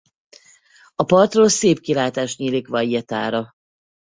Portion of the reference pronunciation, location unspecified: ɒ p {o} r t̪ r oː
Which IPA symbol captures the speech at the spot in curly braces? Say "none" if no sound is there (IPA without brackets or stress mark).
ɒ